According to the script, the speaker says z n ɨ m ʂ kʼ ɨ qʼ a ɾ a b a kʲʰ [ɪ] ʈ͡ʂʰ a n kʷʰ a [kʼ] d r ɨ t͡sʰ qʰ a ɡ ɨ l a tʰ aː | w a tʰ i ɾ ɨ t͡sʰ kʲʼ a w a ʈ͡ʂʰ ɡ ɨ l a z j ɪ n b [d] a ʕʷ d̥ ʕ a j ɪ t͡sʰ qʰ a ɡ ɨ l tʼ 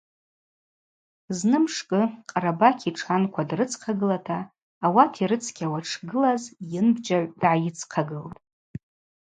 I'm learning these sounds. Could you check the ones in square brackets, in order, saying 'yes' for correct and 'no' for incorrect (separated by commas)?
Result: no, no, no